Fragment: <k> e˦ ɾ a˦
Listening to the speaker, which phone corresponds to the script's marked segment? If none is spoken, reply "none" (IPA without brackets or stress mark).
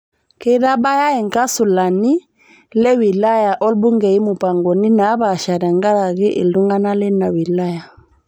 k